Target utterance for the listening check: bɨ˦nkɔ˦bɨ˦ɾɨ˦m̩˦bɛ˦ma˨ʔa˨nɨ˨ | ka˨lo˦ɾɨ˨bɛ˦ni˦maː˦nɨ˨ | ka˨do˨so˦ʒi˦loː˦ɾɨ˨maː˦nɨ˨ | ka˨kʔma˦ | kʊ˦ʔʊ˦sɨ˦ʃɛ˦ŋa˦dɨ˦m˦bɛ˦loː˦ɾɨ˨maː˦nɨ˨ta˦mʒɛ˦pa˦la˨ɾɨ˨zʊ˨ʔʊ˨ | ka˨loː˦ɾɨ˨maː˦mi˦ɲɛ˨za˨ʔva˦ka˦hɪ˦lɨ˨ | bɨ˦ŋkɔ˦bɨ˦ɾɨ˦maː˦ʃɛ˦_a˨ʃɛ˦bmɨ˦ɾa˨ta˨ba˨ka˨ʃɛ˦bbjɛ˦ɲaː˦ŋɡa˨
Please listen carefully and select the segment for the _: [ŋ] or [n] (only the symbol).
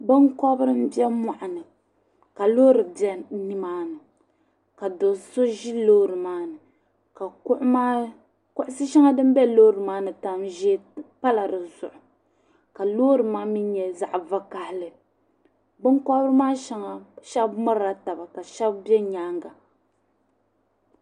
ŋ